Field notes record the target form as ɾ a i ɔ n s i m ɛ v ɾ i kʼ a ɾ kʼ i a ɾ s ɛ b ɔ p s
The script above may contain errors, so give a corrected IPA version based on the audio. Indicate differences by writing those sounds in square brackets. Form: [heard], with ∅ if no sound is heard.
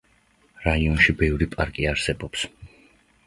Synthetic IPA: ɾ a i ɔ n [ʃ] i [b] ɛ v ɾ i [pʼ] a ɾ kʼ i a ɾ s ɛ b ɔ p s